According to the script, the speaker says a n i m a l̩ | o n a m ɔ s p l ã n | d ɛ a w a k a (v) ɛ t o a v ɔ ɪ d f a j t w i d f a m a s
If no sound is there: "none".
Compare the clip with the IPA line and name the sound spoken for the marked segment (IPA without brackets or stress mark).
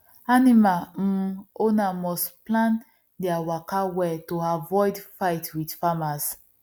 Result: w